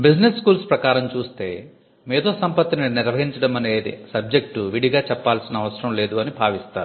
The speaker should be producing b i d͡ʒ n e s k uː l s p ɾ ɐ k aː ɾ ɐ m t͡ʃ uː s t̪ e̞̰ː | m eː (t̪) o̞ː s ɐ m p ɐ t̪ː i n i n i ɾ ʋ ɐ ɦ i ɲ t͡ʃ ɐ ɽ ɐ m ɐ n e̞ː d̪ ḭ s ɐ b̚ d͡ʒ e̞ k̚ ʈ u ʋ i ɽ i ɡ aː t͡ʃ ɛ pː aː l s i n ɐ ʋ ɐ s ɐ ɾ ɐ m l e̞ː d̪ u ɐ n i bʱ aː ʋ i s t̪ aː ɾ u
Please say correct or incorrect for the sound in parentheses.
incorrect